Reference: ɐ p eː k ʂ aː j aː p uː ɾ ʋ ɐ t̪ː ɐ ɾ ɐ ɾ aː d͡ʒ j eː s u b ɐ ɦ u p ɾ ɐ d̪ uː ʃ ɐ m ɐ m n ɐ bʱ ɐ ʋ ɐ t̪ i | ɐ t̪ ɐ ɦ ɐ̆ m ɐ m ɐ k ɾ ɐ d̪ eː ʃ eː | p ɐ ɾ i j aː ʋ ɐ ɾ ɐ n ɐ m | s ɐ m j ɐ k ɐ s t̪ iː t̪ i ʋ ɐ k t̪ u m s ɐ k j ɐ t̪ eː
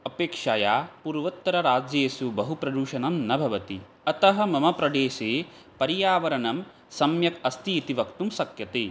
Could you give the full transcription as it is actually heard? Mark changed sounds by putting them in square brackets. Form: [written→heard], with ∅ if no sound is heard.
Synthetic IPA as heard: ɐ p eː k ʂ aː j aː p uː ɾ ʋ ɐ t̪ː ɐ ɾ ɐ ɾ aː d͡ʒ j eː s u b ɐ ɦ u p ɾ ɐ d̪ uː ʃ ɐ [m→n] ɐ m n ɐ bʱ ɐ ʋ ɐ t̪ i | ɐ t̪ ɐ ɦ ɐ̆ m ɐ m ɐ [k→p] ɾ ɐ d̪ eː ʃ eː | p ɐ ɾ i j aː ʋ ɐ ɾ ɐ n ɐ m | s ɐ m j ɐ k ɐ s t̪ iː t̪ i ʋ ɐ k t̪ u m s ɐ k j ɐ t̪ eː